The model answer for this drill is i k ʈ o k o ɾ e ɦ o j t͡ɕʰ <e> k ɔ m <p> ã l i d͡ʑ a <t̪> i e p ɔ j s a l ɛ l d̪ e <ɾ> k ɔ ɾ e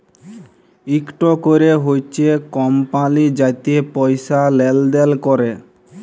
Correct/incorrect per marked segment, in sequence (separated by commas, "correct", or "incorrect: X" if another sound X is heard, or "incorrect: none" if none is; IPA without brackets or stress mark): correct, correct, correct, incorrect: l